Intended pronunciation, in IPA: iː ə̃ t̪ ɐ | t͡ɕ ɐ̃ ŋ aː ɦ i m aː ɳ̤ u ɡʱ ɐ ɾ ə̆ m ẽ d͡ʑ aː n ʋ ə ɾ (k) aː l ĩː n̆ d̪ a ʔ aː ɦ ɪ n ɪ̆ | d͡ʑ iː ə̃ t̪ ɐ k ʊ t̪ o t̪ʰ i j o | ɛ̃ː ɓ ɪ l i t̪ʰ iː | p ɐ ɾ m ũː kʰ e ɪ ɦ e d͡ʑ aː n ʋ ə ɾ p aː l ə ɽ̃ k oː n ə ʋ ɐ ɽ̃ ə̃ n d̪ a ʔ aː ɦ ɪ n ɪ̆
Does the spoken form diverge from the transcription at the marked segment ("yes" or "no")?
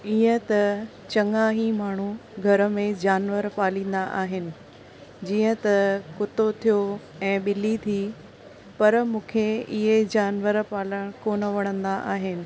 yes